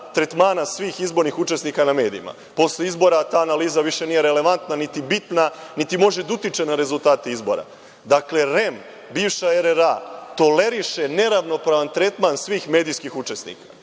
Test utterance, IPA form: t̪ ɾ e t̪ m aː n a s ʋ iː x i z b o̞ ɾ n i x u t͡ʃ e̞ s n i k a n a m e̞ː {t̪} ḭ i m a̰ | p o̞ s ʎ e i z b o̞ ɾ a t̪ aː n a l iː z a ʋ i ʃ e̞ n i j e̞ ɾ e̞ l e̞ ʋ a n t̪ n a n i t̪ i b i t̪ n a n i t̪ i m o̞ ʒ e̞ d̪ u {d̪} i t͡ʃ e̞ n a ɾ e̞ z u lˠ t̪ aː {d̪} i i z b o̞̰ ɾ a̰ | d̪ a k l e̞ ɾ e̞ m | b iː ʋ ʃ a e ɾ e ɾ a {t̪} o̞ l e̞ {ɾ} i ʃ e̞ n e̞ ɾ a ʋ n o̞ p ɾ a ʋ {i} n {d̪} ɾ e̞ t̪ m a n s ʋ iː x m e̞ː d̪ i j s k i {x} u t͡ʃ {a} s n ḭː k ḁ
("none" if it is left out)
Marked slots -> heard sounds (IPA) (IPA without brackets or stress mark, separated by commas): d̪, t̪, t̪, t̪, ɾ, a, t̪, x, e